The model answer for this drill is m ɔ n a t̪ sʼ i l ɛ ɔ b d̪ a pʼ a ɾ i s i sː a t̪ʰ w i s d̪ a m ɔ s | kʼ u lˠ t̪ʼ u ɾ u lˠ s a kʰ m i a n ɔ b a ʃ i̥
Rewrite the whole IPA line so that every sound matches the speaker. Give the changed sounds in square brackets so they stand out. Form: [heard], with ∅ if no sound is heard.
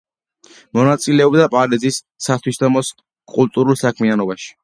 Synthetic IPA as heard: m ɔ n a t̪ sʼ i l ɛ ɔ b d̪ a pʼ a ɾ i [z] i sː a t̪ʰ w i s d̪ a m ɔ s | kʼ u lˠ t̪ʼ u ɾ u lˠ s a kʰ m i a n ɔ b a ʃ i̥